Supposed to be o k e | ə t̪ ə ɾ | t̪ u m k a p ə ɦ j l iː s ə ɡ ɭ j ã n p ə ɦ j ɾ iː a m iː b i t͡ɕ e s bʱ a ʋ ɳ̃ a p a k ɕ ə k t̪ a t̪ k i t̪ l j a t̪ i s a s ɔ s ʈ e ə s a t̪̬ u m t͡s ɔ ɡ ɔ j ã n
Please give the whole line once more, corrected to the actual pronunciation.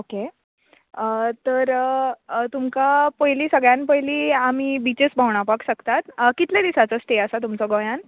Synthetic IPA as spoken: o k e | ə t̪ ə ɾ | t̪ u m k a p ə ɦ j l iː s ə ɡ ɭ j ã n p ə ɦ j l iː a m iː b i t͡ɕ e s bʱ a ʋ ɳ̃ a p a k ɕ ə k t̪ a t̪ k i t̪ l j a d̪ i s a t͡s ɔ s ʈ e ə s a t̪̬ u m t͡s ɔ ɡ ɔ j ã n